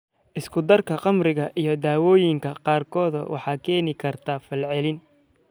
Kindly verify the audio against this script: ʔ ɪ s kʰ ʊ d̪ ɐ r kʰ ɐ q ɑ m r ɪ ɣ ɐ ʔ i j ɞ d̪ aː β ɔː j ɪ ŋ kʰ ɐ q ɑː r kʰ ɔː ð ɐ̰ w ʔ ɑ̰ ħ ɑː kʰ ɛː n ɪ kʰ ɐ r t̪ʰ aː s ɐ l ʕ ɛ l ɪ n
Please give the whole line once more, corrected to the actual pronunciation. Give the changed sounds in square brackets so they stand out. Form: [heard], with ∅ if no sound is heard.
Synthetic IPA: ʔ ɪ s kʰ ʊ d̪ ɐ r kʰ ɐ q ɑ m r ɪ ɣ ɐ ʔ i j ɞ d̪ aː [w] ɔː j ɪ ŋ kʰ ɐ q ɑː r kʰ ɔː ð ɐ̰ w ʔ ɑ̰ ħ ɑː kʰ ɛː n ɪ kʰ ɐ r t̪ʰ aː [f] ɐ l ʕ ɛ l ɪ n